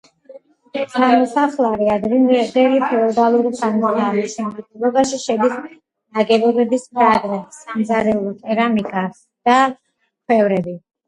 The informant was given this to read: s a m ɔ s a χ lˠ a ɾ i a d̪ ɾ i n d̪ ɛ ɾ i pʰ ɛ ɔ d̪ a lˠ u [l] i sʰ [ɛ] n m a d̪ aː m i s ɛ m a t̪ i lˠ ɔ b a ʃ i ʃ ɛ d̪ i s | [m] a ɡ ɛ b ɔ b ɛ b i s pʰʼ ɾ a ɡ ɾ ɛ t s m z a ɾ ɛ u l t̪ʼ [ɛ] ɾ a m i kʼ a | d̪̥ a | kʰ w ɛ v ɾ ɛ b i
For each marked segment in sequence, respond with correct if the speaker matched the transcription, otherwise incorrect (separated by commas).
incorrect, incorrect, incorrect, correct